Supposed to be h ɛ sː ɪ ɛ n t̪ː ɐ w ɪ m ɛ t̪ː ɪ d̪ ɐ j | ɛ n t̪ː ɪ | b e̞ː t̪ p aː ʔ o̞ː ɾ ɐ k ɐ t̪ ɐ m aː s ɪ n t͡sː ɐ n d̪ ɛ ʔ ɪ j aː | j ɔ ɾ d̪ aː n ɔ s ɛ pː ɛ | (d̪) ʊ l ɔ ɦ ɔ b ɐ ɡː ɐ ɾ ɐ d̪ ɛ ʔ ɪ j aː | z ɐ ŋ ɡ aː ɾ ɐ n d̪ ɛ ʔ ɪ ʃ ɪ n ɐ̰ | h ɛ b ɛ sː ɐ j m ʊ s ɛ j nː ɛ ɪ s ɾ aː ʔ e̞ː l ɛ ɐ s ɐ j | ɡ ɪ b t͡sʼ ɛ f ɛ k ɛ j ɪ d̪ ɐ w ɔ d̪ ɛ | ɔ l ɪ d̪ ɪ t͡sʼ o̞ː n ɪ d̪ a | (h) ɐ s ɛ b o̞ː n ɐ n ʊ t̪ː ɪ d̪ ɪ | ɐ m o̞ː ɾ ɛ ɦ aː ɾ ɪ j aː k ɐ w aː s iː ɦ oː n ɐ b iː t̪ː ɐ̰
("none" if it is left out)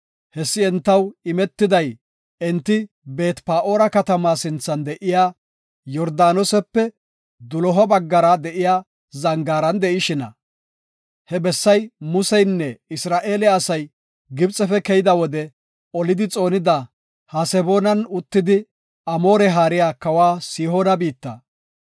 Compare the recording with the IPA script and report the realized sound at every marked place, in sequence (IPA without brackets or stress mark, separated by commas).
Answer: d̪, h